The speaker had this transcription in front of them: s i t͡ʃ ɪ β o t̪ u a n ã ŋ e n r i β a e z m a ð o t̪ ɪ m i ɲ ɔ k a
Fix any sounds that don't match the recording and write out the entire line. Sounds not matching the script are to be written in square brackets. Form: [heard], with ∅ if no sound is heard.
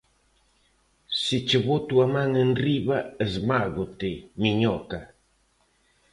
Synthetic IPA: s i t͡ʃ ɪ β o t̪ u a [m] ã ŋ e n r i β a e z m a [ɣ] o t̪ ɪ m i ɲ ɔ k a

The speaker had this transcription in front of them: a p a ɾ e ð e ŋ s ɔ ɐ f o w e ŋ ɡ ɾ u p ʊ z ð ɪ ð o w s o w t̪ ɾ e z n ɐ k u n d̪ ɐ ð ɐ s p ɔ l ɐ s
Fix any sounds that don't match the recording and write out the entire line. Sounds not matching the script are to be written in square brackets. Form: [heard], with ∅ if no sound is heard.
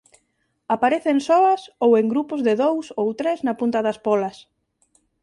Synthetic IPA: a p a ɾ e [θ] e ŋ s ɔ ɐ [s] o w e ŋ ɡ ɾ u p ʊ z ð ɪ ð o w s o w t̪ ɾ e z n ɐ [p] u n [t̪] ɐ ð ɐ s p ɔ l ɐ s

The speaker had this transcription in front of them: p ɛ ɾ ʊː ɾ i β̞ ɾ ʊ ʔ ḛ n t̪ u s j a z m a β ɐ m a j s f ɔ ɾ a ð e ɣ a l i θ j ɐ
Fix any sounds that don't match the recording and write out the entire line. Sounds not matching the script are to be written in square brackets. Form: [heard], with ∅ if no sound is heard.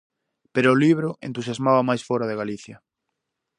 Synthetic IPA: p [e] ɾ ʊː [l] i β̞ ɾ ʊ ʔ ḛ n t̪ u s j a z m a β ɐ m a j s f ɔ ɾ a ð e ɣ a l i θ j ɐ

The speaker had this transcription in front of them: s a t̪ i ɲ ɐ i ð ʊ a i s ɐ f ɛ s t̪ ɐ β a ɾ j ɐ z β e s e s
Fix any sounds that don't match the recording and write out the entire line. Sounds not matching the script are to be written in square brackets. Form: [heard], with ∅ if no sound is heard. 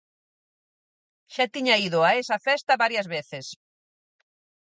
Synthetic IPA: [ʃ] a t̪ i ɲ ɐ i ð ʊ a [e] s ɐ f ɛ s t̪ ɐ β a ɾ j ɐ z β e [θ] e s

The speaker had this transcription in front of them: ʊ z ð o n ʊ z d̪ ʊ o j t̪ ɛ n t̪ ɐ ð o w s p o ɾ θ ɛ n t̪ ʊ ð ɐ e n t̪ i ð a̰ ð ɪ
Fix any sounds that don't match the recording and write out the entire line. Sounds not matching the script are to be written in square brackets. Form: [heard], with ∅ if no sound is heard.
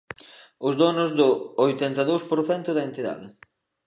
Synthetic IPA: ʊ z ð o n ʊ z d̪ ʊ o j t̪ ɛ n t̪ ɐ ð o w s p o ɾ θ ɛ n t̪ ʊ ð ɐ e n t̪ i ð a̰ ð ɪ

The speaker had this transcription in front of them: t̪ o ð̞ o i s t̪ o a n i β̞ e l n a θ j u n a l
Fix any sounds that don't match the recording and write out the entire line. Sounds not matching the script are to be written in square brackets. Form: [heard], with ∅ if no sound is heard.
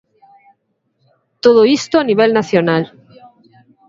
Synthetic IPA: t̪ o ð̞ o i s t̪ o a n i β̞ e l n a θ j [o] n a l

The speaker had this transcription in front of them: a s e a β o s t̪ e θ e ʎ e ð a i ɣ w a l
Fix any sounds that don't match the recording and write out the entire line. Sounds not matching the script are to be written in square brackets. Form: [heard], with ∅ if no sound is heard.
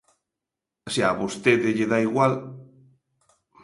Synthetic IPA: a s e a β o s t̪ e [ð] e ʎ e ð a i ɣ w a l

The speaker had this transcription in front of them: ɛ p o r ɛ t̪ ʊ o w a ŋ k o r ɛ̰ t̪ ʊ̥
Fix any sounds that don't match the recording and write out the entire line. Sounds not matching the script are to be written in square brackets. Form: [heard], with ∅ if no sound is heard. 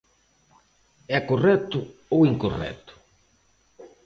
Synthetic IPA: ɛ [k] o r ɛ t̪ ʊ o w [i] ŋ k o r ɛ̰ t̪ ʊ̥

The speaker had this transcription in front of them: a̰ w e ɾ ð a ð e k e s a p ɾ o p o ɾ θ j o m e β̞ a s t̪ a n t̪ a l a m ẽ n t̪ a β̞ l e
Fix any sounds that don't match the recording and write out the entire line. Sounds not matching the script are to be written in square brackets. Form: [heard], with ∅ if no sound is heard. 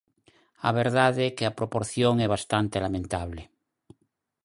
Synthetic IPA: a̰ [β] e ɾ ð a ð e k e [∅] a p ɾ o p o ɾ θ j o [ŋ] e β̞ a s t̪ a n t̪ [e] l a m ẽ n t̪ a β̞ l e

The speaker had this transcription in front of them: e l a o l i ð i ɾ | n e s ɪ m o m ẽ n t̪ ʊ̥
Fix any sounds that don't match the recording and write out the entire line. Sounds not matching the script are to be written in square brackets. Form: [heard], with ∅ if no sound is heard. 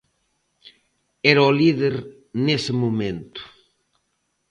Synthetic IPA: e [ɾ] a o l i ð [e] ɾ | n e s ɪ m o m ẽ n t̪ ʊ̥

